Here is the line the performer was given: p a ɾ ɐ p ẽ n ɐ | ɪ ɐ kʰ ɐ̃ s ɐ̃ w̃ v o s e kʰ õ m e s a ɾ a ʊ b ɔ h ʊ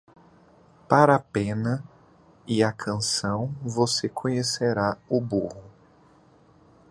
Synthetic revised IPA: p a ɾ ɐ p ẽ n ɐ | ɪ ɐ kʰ ɐ̃ s ɐ̃ w̃ v o s e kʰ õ ɲ e s e ɾ a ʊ b u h ʊ

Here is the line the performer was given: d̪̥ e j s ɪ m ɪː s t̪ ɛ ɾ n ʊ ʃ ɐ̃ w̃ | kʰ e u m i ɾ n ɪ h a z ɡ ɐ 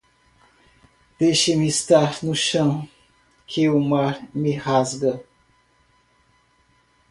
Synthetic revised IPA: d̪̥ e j ʃ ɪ m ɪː s t̪ a ɾ n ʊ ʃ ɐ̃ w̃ | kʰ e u m a ɾ m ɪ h a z ɡ ɐ

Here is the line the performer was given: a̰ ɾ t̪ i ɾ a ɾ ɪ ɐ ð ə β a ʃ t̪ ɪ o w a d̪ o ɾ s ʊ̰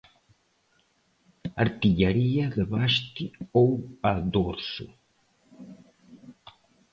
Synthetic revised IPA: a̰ ɾ t̪ i ʎ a ɾ i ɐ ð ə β a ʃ t̪ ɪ o w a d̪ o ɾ s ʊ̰

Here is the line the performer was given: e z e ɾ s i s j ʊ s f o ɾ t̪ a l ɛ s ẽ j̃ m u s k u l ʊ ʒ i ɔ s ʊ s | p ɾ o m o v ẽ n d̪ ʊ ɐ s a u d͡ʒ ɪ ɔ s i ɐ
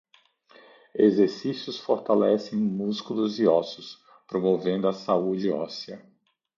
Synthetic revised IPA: e z e ɾ s i s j ʊ s f o ɾ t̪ a l ɛ s ẽ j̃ m u s k u l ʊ z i ɔ s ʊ s | p ɾ o m o v ẽ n d̪ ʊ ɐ s a u d͡ʒ ɪ ɔ s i ɐ

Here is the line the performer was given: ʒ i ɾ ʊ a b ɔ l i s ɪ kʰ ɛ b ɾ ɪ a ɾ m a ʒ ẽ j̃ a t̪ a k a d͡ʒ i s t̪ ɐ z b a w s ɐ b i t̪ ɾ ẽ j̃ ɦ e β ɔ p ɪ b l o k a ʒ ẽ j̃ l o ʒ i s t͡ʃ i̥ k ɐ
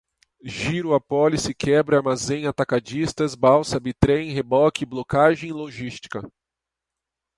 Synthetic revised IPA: ʒ i ɾ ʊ a p ɔ l i s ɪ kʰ ɛ b ɾ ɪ a ɾ m a z ẽ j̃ a t̪ a k a d͡ʒ i s t̪ ɐ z b a w s ɐ b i t̪ ɾ ẽ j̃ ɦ e b ɔ k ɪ b l o k a ʒ ẽ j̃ l o ʒ i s t͡ʃ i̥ k ɐ

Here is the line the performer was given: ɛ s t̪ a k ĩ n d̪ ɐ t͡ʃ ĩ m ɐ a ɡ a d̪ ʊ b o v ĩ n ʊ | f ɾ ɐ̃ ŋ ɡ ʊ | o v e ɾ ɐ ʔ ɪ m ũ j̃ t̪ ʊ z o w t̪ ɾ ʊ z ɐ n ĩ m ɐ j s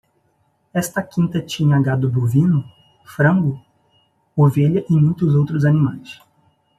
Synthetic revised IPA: ɛ s t̪ ɐ k ĩ n t̪ ɐ t͡ʃ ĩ ɲ ɐ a ɡ a d̪ ʊ b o v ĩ n ʊ | f ɾ ɐ̃ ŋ ɡ ʊ | o v e ʎ ɐ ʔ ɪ m ũ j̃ t̪ ʊ z o w t̪ ɾ ʊ z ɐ n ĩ m a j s

